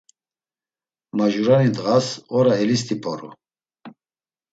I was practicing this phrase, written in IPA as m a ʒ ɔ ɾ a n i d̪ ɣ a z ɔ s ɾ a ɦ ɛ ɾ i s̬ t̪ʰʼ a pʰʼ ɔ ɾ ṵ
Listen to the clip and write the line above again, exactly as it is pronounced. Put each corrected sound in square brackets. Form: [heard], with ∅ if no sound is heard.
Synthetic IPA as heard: m a ʒ [u] ɾ a n i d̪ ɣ a [s] ɔ [∅] ɾ a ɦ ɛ [l] i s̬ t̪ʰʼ [i] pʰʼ ɔ ɾ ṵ

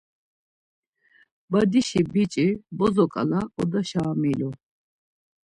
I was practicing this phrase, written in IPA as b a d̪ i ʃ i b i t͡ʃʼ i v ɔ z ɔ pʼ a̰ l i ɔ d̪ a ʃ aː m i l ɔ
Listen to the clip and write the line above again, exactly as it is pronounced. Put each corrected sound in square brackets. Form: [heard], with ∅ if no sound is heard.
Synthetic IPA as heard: b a d̪ i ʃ i b i t͡ʃʼ i [b] ɔ z ɔ [kʼ] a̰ l [a] ɔ d̪ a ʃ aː m i l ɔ

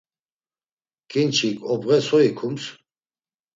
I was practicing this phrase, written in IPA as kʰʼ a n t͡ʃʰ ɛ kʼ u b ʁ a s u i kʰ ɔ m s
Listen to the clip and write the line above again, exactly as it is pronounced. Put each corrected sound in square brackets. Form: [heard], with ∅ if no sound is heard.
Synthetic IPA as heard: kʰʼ [i] n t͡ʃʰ [i] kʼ [ɔ] b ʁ [ɛ] s [ɔ] i kʰ [u] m s

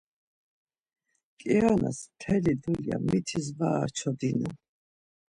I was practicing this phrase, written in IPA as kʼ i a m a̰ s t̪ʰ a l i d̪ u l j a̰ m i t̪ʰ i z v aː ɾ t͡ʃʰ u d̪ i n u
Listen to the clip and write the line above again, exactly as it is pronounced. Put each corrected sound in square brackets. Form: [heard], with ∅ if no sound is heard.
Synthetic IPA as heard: kʼ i a [n] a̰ s t̪ʰ [ɛ] l i d̪ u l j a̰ m i t̪ʰ i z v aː ɾ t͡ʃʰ [ɔ] d̪ i n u

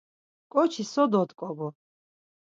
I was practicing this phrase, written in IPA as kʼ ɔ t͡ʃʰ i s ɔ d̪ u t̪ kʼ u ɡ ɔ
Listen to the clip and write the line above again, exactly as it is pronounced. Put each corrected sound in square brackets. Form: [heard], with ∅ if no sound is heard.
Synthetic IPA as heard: kʼ ɔ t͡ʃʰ i s ɔ d̪ [ɔ] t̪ kʼ [ɔ] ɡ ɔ

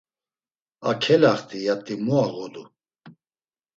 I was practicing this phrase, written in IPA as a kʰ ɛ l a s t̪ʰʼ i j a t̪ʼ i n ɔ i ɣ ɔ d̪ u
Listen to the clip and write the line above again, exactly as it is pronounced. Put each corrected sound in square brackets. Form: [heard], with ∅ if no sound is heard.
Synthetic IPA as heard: a kʰ ɛ l a [χ] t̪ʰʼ i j a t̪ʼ i [m] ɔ [a] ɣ ɔ d̪ u

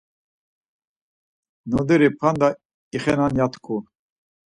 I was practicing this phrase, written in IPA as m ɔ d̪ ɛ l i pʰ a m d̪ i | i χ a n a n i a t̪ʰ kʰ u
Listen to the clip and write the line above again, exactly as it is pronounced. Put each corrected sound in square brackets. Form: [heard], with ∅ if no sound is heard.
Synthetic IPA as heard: [n] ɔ d̪ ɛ [ɾ] i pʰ a [n] d̪ [a] | i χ [ɛ] n a n [j] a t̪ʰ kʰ u

